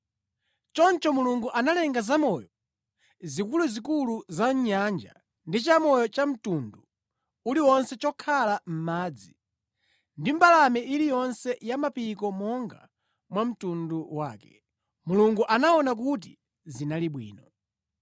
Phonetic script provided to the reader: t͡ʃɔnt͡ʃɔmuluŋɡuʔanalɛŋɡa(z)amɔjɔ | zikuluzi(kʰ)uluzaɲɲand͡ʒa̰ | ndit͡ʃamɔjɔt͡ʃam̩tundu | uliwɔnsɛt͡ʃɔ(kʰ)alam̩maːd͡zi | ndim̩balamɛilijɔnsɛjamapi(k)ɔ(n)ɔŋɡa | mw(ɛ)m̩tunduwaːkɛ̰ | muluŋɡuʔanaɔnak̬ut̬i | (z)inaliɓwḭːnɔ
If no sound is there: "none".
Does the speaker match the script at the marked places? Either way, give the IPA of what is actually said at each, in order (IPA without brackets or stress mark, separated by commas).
z, k, kʰ, k, m, a, z